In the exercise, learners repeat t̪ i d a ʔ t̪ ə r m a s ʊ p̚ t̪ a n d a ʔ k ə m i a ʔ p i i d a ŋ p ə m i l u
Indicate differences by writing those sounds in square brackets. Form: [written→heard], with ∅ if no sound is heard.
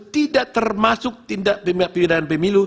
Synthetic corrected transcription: t̪ i d a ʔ t̪ ə r m a s ʊ [p̚→k̚] t̪ [a→i] n d a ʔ [k→p] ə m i a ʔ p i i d a [ŋ→n] p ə m i l u